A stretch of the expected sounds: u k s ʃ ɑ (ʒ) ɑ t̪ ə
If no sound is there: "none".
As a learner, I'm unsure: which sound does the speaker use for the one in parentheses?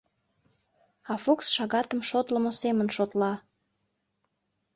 ɣ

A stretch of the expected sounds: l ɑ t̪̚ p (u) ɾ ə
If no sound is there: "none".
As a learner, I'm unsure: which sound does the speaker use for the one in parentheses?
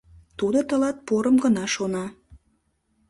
o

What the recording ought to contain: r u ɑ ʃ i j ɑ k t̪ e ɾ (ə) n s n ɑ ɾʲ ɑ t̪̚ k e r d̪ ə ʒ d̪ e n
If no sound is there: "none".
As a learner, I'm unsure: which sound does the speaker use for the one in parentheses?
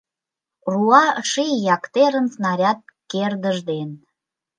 ə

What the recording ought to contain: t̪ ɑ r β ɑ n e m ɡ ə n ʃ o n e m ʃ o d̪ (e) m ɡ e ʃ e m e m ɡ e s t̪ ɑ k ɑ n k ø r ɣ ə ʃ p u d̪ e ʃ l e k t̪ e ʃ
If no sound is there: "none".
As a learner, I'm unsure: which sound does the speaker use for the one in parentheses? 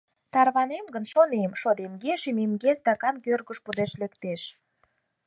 e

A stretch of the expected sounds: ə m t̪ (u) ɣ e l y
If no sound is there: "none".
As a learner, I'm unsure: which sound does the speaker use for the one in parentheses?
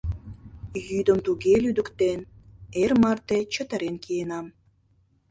u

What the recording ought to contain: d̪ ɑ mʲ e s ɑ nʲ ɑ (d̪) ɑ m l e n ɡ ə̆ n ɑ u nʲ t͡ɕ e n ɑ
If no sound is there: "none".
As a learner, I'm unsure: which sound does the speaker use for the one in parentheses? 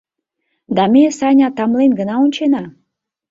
t̪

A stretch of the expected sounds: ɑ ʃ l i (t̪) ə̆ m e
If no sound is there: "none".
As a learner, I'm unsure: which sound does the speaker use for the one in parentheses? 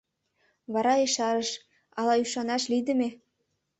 d̪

